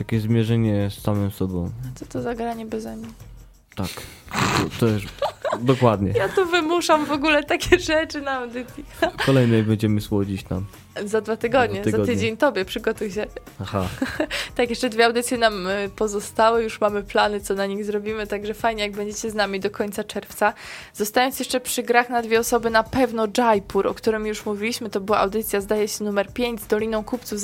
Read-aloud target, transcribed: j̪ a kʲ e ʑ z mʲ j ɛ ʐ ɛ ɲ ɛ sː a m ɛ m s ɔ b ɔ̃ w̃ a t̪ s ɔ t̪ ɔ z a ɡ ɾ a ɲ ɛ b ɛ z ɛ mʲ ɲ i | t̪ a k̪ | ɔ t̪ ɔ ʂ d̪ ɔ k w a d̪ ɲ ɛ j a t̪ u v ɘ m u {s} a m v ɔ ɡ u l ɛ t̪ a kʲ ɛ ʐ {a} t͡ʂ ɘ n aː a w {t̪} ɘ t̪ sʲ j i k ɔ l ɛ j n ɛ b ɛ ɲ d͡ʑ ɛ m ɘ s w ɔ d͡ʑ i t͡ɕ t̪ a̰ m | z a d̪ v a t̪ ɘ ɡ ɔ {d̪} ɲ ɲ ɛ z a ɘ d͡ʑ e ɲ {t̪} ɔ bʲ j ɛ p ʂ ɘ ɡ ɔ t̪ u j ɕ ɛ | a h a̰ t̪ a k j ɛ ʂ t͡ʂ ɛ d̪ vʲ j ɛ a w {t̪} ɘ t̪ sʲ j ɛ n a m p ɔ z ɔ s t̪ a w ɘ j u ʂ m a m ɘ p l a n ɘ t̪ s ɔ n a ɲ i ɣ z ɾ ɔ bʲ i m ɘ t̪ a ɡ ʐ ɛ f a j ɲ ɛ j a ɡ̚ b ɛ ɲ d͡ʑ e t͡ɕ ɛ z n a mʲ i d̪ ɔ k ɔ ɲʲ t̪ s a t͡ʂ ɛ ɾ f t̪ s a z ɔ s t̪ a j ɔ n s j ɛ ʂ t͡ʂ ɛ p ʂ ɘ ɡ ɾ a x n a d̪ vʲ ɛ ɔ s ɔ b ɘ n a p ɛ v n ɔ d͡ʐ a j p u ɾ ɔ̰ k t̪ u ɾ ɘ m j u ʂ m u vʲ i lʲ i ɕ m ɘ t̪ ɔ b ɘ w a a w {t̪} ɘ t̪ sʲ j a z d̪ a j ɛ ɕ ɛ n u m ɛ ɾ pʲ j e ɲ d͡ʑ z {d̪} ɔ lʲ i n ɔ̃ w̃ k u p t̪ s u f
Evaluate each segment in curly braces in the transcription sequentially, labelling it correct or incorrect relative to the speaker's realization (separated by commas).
incorrect, incorrect, incorrect, correct, correct, incorrect, incorrect, correct